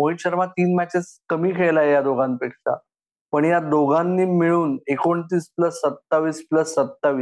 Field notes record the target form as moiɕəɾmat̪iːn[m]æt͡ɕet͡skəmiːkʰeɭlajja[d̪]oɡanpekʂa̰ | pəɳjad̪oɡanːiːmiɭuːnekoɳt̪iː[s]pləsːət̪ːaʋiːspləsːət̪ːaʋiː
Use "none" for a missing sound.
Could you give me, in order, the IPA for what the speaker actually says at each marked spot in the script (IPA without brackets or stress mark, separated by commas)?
m, d̪, s